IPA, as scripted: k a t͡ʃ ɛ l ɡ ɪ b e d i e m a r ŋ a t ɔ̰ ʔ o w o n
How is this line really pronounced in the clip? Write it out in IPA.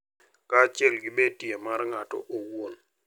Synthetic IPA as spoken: k a t͡ʃ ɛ l ɡ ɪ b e t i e m a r ŋ a t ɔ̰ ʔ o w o n